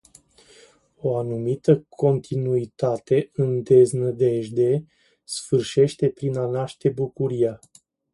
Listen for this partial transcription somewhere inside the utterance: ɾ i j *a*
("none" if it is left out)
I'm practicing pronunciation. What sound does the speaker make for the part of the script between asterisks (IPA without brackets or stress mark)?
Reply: a